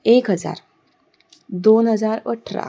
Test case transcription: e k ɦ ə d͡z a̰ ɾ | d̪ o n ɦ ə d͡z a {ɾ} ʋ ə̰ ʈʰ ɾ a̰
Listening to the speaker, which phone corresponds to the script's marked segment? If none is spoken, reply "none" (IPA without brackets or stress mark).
ɾ